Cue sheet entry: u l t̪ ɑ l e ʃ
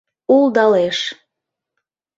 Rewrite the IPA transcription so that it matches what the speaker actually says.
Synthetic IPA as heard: u l d̪ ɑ l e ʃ